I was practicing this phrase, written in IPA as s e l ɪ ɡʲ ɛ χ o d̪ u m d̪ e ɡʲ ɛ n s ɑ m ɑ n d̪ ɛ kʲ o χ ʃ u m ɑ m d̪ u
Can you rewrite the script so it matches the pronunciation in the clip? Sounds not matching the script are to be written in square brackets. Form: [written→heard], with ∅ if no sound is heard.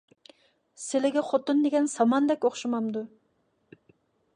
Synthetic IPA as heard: s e l ɪ ɡʲ ɛ χ o [d̪→t̪] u [m→n] d̪ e ɡʲ ɛ n s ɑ m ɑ n d̪ ɛ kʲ o χ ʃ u m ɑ m d̪ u

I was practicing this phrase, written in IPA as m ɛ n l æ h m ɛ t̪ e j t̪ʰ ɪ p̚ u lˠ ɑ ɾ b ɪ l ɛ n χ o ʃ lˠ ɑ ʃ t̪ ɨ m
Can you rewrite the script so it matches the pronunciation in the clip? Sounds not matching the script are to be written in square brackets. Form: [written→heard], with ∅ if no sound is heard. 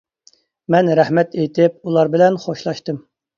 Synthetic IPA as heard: m ɛ n [l→ɾ] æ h m ɛ t̪ e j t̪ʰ ɪ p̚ u lˠ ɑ ɾ b ɪ l ɛ n χ o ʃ lˠ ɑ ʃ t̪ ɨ m

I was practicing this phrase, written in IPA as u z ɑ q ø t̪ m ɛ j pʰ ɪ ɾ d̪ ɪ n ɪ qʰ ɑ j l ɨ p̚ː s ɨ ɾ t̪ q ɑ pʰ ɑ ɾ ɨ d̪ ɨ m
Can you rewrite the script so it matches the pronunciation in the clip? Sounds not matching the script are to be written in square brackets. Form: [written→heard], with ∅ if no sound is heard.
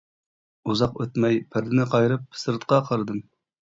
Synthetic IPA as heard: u z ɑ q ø t̪ m ɛ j pʰ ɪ ɾ d̪ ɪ n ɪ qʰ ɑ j [l→ɾ] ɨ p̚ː s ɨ ɾ t̪ q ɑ [pʰ→qʰ] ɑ ɾ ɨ d̪ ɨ m

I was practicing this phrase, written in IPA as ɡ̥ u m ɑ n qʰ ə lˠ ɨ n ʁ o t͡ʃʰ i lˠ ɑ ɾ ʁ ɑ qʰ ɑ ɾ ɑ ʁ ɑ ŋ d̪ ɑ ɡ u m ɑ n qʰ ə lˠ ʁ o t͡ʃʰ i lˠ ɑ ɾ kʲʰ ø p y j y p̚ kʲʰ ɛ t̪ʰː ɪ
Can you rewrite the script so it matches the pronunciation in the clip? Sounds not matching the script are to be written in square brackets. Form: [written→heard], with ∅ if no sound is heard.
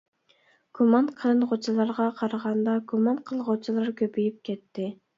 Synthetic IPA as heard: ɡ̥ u m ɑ n qʰ ə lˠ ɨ n ʁ o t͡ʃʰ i lˠ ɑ ɾ ʁ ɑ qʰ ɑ ɾ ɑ ʁ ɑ [ŋ→n] d̪ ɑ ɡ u m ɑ n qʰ ə lˠ ʁ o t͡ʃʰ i lˠ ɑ ɾ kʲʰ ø p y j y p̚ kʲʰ ɛ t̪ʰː ɪ

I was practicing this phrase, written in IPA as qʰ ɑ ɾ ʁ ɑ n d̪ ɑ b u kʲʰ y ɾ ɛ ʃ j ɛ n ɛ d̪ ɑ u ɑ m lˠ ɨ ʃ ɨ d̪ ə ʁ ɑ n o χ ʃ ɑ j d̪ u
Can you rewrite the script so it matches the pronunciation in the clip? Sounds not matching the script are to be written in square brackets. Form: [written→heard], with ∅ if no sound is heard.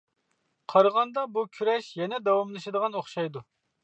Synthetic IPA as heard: qʰ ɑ ɾ ʁ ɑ n d̪ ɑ b u kʲʰ y ɾ ɛ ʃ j ɛ n ɛ d̪ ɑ [u→w] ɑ m lˠ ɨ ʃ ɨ d̪ ə ʁ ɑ n o χ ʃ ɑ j d̪ u

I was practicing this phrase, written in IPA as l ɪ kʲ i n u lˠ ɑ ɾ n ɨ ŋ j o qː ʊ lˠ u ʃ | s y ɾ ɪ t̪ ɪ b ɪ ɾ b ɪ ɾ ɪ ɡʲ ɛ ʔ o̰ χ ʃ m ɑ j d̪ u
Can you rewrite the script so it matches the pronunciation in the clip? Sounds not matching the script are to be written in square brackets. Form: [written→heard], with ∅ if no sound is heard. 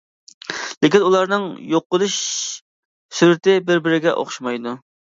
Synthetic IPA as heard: l ɪ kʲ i n u lˠ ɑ ɾ n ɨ ŋ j o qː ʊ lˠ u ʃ | s y ɾ ɪ t̪ ɪ b ɪ ɾ b ɪ ɾ ɪ ɡʲ ɛ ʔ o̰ χ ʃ m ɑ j d̪ u

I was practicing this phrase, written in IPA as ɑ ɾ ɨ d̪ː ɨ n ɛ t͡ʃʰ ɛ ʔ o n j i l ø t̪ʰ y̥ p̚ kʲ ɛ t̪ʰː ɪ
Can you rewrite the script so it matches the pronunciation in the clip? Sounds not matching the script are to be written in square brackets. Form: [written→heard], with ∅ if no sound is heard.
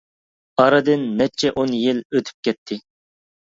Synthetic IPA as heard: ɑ ɾ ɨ [d̪ː→d̪] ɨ [n→nː] ɛ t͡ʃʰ ɛ ʔ o n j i l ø t̪ʰ y̥ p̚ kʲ ɛ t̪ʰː ɪ

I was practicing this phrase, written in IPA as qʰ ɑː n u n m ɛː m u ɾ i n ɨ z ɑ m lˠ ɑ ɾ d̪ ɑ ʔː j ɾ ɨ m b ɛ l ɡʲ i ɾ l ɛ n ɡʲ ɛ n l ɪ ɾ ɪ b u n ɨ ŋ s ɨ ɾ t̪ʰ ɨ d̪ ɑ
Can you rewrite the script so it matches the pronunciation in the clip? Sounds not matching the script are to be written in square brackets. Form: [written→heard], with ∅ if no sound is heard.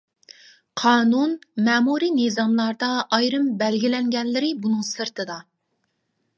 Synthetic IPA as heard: qʰ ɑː n u n m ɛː m u ɾ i n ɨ z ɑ m lˠ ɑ ɾ d̪ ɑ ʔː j ɾ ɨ m b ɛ l ɡʲ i [ɾ→∅] l ɛ [n→ŋ] ɡʲ ɛ n l ɪ ɾ ɪ b u n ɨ ŋ s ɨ ɾ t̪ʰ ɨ d̪ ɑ

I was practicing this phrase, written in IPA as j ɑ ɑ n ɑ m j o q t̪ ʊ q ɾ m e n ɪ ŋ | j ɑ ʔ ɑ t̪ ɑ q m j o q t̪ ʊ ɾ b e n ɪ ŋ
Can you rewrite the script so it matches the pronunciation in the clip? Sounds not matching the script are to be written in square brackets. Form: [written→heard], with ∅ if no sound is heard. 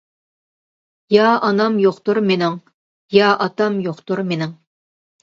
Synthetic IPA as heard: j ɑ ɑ n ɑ m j o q t̪ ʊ [q→∅] ɾ m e n ɪ ŋ | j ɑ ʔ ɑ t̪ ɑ [q→∅] m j o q t̪ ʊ ɾ [b→m] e n ɪ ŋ

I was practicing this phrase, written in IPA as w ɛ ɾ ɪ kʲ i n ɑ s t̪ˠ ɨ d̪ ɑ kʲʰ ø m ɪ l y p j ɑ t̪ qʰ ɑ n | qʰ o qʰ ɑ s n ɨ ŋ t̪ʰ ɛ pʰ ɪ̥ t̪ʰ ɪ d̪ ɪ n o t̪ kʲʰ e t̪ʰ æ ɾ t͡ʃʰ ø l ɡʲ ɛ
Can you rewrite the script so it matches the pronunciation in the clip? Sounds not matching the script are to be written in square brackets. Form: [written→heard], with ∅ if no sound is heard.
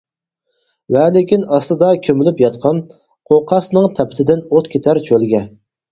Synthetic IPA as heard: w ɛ [ɾ→l] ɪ kʲ i n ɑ s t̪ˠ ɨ d̪ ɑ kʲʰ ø m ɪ l y p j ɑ t̪ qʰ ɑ n | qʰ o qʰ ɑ s n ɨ ŋ t̪ʰ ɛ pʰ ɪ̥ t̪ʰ ɪ d̪ ɪ n o t̪ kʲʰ e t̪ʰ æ ɾ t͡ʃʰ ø l ɡʲ ɛ

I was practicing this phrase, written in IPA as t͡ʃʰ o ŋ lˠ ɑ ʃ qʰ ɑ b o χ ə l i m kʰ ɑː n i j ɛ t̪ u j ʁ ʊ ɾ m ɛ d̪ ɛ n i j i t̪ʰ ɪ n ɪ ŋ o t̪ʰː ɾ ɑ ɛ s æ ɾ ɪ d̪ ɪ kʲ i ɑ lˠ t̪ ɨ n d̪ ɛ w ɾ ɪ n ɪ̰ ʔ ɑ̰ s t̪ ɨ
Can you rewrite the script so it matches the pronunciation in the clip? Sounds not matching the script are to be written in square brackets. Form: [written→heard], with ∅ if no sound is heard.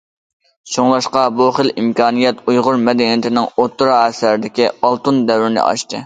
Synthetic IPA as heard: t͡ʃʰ o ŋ lˠ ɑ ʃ [qʰ→q] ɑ b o χ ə l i m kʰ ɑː n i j ɛ t̪ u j ʁ ʊ ɾ m ɛ d̪ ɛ n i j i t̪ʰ ɪ n ɪ ŋ o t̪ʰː ɾ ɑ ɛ s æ ɾ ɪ d̪ ɪ kʲ i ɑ lˠ t̪ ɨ n d̪ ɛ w ɾ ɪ n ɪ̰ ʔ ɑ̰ [s→ʃ] t̪ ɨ

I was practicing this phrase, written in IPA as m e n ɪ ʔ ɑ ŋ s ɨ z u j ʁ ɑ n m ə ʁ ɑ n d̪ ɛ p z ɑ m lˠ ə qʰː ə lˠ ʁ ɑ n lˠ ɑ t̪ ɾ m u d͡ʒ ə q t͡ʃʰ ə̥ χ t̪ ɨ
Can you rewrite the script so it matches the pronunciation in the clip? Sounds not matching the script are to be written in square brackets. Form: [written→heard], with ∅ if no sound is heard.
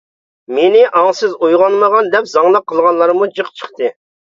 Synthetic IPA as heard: m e n ɪ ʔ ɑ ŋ s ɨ z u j ʁ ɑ n m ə ʁ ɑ n d̪ ɛ p z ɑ [m→ŋ] lˠ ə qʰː ə lˠ ʁ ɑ n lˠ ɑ [t̪→∅] ɾ m u d͡ʒ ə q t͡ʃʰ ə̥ χ t̪ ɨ

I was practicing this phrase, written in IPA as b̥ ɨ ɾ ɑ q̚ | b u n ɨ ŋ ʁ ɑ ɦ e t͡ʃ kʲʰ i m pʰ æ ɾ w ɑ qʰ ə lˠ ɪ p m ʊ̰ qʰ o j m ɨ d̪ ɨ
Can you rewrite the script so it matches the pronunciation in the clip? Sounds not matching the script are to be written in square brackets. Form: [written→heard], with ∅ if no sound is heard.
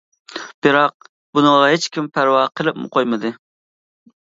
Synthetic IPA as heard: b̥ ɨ ɾ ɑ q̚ | b u n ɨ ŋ ʁ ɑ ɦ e t͡ʃ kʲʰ i m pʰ æ ɾ w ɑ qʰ ə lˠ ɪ p m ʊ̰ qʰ o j m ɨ d̪ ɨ

